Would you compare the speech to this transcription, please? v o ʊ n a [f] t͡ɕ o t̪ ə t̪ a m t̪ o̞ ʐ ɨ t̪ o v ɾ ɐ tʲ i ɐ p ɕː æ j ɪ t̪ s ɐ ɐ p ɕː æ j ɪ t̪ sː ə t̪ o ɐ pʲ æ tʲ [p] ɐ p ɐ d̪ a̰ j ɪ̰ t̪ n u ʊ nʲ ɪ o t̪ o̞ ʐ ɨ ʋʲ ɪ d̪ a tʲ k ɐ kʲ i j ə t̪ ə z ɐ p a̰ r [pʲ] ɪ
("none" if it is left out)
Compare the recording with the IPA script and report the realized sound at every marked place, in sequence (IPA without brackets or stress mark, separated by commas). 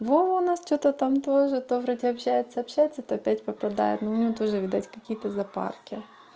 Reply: s, p, kʲ